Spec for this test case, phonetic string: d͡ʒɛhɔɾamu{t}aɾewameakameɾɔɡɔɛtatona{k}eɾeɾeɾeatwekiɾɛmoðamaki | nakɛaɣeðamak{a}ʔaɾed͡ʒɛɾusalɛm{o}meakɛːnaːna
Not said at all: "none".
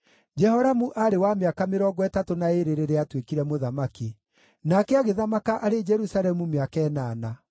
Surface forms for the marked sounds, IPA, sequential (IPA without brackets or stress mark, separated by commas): ʔ, none, a, u